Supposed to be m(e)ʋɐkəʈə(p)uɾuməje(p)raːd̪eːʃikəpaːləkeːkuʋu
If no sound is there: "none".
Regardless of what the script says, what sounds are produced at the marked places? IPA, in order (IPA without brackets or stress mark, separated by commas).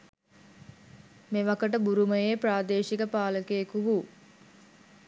e, b, p